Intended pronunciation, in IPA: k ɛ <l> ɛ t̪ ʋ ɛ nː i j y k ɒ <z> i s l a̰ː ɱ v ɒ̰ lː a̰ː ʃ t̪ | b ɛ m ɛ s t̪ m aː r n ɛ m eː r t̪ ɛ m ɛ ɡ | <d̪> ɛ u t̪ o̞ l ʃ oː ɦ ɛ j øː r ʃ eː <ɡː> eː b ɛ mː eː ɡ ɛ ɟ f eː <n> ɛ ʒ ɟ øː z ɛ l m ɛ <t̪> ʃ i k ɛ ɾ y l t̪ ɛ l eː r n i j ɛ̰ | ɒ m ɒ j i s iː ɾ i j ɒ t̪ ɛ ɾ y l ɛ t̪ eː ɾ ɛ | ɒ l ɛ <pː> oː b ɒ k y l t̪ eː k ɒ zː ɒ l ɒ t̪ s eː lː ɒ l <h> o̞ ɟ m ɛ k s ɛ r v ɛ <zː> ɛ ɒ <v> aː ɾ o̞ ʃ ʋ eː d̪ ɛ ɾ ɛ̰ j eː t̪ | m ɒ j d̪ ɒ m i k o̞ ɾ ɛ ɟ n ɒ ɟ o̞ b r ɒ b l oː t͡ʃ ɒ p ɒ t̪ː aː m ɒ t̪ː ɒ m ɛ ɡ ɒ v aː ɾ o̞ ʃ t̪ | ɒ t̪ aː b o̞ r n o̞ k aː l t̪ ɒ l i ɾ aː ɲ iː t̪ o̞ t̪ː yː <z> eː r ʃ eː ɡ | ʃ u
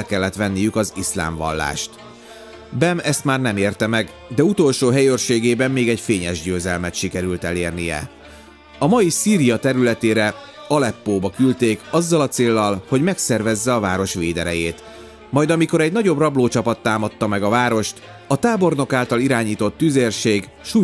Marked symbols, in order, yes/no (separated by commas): no, yes, yes, no, no, yes, yes, yes, yes, yes, yes